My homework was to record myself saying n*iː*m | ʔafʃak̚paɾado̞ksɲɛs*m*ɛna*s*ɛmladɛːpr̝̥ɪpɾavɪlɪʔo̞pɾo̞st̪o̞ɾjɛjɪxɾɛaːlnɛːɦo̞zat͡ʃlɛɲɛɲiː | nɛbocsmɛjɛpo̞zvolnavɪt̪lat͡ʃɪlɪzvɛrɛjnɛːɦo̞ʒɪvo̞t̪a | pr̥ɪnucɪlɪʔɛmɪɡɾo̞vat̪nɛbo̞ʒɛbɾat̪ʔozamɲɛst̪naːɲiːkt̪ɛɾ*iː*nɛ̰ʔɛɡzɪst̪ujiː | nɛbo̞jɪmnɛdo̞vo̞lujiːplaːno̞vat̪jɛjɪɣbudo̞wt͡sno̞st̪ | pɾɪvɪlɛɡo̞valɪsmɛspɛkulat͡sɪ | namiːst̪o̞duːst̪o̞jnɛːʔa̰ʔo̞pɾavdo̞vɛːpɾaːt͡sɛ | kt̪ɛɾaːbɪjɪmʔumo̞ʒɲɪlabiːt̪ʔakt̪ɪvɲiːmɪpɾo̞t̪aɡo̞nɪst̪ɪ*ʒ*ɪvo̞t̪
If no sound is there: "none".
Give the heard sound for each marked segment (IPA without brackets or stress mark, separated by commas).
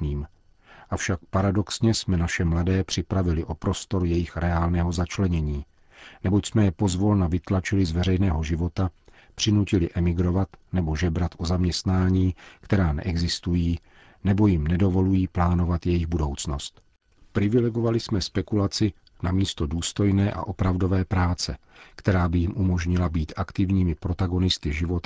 iː, m, ʃ, aː, ʒ